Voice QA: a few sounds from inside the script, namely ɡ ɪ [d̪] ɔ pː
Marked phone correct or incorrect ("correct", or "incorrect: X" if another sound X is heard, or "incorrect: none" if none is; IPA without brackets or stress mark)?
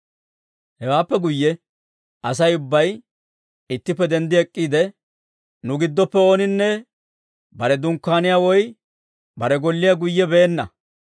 incorrect: d̪ː